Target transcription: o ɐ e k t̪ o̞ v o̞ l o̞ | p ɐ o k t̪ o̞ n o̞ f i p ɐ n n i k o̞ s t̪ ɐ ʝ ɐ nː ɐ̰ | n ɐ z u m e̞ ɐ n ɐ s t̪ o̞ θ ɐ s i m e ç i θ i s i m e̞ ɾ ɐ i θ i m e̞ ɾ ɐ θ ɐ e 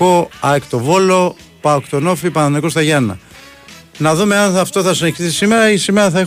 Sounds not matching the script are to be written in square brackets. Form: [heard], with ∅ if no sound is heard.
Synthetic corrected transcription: o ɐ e k t̪ o̞ v o̞ l o̞ | p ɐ o k t̪ o̞ n o̞ f i p ɐ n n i k o̞ s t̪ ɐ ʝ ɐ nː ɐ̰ | n ɐ [ð] u m e̞ ɐ n ɐ [f] t̪ o̞ θ ɐ s i [n] e ç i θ i s i m e̞ ɾ ɐ i [s] i m e̞ ɾ ɐ θ ɐ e